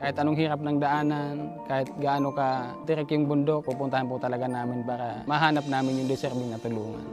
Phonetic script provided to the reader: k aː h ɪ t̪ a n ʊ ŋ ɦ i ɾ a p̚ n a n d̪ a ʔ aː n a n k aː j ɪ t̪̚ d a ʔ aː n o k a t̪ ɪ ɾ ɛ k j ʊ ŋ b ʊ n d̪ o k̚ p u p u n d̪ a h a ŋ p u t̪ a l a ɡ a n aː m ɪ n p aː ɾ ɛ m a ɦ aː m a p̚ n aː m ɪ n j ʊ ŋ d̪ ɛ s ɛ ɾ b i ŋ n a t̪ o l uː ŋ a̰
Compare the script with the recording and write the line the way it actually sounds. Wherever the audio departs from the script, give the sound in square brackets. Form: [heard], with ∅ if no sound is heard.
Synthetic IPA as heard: k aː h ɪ t̪ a n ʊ ŋ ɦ i ɾ a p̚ n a [ŋ] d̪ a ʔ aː n a n k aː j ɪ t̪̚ [ɡ] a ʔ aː n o k a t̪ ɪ ɾ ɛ k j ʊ ŋ b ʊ n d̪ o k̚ p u p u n [t̪] a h a [n] p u t̪ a l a ɡ a n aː m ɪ n p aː ɾ [a] m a ɦ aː [n] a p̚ n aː m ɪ n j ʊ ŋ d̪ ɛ s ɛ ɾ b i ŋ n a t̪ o l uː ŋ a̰